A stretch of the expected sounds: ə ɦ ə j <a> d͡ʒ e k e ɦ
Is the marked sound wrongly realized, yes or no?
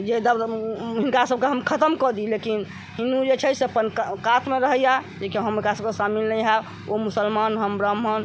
no